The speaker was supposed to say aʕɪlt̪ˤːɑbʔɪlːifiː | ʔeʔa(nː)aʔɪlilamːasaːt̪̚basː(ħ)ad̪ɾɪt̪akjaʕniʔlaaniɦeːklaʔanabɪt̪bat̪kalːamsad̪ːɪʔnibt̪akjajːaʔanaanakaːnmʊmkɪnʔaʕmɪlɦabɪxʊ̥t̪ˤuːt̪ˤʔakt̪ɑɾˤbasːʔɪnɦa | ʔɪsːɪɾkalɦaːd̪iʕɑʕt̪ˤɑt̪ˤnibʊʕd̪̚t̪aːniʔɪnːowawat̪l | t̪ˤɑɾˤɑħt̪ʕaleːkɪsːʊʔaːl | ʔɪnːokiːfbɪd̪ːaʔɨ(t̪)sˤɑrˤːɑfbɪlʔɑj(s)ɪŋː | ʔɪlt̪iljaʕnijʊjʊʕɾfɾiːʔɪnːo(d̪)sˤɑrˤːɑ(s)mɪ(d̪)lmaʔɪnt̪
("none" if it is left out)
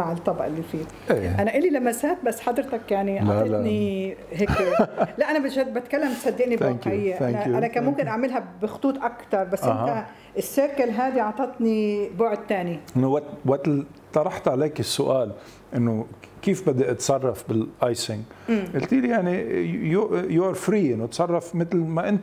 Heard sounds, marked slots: n, ħ, t̪, s, t̪, f, t̪

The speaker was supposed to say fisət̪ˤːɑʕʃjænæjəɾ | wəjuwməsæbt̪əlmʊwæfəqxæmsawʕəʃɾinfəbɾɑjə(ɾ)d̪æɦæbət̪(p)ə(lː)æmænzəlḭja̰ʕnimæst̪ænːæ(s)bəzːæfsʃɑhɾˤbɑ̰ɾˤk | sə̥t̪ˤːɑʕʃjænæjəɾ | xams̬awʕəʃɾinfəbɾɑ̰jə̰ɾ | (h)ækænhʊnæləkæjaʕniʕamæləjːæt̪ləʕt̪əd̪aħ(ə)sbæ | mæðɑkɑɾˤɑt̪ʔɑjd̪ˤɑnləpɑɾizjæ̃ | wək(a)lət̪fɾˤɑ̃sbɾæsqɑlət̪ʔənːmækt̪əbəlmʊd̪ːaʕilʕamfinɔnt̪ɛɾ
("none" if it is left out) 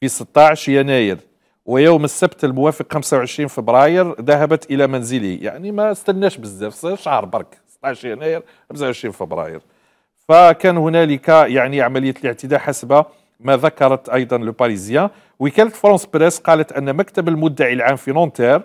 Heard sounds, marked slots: ɾ, ʔ, l, ʃ, f, a, æ

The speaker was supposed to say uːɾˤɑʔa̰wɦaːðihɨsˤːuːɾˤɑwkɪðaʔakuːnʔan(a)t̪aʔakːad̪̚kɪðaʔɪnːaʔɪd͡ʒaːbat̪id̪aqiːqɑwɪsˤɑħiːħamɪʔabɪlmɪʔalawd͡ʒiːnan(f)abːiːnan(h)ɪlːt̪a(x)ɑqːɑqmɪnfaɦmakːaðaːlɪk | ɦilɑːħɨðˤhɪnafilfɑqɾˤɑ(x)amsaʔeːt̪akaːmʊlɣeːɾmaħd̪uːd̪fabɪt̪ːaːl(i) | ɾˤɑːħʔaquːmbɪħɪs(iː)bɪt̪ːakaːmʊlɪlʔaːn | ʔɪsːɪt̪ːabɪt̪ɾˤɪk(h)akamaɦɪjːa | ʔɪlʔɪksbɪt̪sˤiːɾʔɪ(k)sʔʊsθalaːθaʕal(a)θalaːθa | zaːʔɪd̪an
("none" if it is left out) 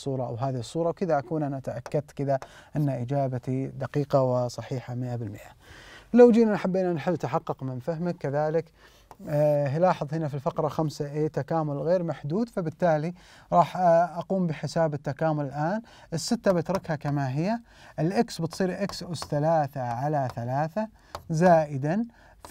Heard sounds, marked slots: a, ħ, ħ, ħ, x, i, aː, h, k, a

